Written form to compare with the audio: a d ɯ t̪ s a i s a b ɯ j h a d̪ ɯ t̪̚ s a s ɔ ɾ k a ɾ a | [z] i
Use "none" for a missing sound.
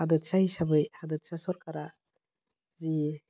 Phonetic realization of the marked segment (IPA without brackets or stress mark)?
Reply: z